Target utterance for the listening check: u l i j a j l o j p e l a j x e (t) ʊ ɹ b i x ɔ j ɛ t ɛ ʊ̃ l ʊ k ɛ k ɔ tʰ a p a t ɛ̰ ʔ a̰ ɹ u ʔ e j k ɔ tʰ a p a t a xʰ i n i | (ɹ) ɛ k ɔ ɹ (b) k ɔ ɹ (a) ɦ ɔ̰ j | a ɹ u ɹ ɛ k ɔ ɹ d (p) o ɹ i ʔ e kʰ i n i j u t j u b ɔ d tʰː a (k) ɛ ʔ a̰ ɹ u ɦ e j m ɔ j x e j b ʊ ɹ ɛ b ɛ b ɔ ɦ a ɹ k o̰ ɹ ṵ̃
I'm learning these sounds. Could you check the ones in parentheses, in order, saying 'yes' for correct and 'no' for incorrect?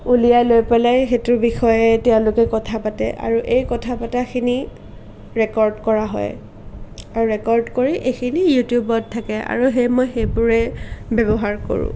yes, yes, no, yes, no, yes

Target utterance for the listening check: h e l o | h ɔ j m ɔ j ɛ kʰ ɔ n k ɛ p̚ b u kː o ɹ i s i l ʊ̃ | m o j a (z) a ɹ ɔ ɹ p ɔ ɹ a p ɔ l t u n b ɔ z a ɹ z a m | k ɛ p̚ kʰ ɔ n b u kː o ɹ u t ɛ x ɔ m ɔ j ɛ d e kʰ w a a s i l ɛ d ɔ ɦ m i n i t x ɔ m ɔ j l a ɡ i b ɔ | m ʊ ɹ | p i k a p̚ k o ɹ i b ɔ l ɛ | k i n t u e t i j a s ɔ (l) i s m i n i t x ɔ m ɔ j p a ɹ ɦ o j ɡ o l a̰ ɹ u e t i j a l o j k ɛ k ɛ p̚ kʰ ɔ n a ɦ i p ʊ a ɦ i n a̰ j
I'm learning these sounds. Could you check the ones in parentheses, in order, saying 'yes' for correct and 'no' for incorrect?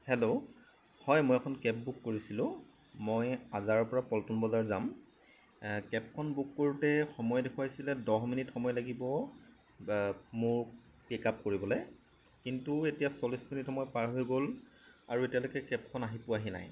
yes, yes

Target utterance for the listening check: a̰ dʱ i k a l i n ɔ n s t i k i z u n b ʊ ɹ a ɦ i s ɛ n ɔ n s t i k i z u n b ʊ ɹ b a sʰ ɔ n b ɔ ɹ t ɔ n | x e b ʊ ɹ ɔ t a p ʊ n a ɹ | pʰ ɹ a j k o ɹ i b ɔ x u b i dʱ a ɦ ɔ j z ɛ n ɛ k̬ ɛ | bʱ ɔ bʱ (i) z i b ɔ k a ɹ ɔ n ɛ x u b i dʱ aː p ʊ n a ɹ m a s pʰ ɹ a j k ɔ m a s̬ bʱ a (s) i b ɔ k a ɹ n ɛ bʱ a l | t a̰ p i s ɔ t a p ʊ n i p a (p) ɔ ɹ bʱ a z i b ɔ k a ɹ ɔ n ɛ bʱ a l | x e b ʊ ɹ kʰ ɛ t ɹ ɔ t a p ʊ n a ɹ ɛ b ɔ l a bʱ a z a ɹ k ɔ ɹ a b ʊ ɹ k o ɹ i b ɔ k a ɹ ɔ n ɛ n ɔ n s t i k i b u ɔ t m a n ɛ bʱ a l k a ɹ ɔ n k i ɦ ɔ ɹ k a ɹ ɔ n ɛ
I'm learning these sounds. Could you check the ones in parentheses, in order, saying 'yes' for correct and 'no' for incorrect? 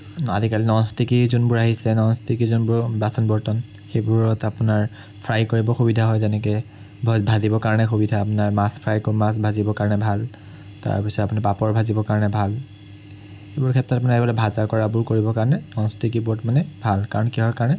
no, no, yes

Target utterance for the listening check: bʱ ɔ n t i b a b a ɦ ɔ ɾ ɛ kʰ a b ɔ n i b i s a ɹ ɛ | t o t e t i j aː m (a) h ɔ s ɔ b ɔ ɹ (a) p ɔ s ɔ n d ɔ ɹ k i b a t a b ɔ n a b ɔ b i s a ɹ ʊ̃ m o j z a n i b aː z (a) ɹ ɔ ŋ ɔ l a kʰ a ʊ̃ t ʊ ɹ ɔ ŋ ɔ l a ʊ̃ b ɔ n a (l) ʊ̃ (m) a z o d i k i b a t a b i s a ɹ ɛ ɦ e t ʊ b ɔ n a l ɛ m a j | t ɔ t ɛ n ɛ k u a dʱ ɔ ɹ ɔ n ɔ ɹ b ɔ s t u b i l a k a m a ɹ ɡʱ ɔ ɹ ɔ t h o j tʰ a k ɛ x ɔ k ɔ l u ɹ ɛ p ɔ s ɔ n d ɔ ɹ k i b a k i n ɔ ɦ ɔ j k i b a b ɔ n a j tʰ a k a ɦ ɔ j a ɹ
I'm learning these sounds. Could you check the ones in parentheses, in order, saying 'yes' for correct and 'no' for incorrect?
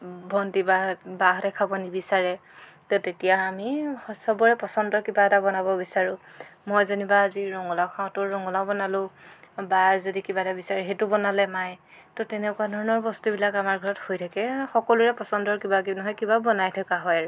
no, no, no, yes, no

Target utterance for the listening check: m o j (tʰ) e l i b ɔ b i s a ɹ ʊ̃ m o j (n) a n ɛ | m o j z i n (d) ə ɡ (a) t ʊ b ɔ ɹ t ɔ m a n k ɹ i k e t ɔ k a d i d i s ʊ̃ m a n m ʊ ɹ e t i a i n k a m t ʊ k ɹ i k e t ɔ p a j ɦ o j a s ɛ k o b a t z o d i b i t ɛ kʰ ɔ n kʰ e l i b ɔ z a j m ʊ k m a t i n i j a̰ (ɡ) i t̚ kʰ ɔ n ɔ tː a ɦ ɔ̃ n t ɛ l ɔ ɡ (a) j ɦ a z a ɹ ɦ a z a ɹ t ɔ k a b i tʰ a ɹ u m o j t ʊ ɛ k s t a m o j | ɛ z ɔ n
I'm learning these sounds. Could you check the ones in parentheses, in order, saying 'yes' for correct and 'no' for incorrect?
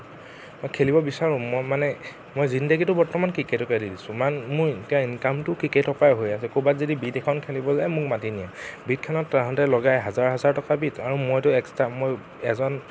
no, no, yes, no, no, yes

